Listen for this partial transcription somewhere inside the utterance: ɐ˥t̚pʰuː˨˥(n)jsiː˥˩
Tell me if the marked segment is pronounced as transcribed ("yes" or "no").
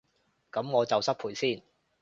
no